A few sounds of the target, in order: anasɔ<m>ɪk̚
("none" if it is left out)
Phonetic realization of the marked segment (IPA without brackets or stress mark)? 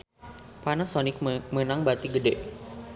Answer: n